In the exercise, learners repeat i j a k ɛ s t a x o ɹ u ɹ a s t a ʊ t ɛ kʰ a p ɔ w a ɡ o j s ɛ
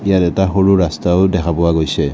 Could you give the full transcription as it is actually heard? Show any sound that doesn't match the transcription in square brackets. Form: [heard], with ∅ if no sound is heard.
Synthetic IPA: i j a [t] ɛ [∅] t a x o ɹ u ɹ a s t a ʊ [d] ɛ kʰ a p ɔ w a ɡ o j s ɛ